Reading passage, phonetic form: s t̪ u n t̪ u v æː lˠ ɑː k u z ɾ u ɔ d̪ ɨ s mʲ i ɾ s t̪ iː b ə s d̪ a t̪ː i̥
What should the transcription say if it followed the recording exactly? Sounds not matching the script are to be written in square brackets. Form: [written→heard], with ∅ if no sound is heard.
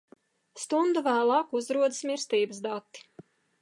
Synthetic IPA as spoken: s t̪ u n [t̪→d̪] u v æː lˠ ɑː k u z ɾ u ɔ d̪ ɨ s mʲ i ɾ s t̪ iː b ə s d̪ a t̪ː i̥

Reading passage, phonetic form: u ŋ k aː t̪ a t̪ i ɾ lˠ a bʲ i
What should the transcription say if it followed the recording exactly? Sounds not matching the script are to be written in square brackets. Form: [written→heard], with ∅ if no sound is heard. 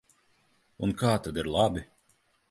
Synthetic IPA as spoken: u [ŋ→n] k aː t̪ a [t̪→d̪] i ɾ lˠ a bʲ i

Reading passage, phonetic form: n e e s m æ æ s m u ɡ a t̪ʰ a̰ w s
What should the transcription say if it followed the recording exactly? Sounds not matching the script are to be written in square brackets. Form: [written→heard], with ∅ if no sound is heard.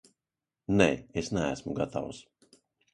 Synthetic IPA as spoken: n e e s [m→n] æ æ s m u ɡ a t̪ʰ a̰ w s

